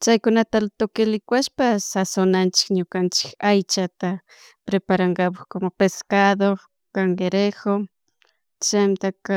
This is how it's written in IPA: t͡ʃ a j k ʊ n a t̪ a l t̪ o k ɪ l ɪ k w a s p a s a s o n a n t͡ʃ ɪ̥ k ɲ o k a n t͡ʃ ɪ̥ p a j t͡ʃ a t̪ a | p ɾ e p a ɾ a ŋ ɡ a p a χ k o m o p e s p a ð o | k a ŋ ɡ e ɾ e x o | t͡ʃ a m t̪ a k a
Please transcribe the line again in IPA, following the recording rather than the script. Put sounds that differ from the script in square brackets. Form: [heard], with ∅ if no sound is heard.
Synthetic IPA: t͡ʃ a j k ʊ n a t̪ a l t̪ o k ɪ l ɪ k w a [ʃ] p a s a s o n a n t͡ʃ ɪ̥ k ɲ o k a n t͡ʃ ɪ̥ [k] a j t͡ʃ a t̪ a | p ɾ e p a ɾ a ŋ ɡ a p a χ k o m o p e s [k] a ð o | k a ŋ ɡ e ɾ e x o | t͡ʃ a m t̪ a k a